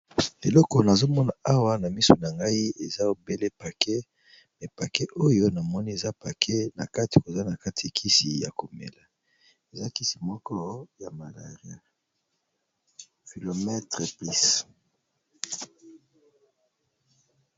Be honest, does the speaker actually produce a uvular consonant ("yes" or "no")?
yes